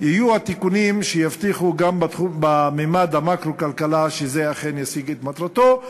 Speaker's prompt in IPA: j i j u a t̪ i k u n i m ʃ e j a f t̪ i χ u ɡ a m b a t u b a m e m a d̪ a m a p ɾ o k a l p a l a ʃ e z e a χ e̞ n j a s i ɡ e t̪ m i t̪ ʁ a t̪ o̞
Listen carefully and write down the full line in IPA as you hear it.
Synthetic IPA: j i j u a t̪ i k u n i m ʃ e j a f t̪ i χ u ɡ a m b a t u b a m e m a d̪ a m a k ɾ o k a l k a l a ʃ e z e a χ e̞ n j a s i ɡ e t̪ m a t̪ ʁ a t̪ o̞